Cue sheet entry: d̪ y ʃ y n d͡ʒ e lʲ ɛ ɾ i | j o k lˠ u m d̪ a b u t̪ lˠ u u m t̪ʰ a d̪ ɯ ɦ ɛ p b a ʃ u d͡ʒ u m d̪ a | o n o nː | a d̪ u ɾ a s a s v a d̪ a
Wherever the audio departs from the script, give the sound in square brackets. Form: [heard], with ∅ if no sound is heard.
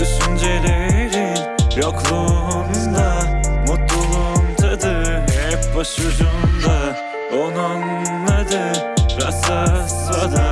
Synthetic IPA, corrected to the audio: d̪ y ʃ y n d͡ʒ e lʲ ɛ ɾ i | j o k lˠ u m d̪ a [m] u t̪ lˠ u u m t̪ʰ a d̪ ɯ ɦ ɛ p b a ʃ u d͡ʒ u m d̪ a | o n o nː | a d̪ [ɯ] ɾ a s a s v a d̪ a